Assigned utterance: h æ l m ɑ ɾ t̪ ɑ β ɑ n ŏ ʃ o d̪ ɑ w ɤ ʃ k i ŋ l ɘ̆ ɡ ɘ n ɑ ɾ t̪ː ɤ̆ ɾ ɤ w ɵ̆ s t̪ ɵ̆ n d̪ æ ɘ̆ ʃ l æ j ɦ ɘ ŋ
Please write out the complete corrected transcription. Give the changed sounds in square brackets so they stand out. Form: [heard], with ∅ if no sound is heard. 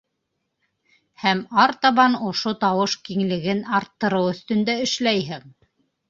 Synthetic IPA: h æ [∅] m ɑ ɾ t̪ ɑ β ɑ n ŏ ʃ o [t̪] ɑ w ɤ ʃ k i ŋ l ɘ̆ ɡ ɘ n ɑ ɾ t̪ː ɤ̆ ɾ ɤ w ɵ̆ [θ] t̪ ɵ̆ n d̪ æ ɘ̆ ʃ l æ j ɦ ɘ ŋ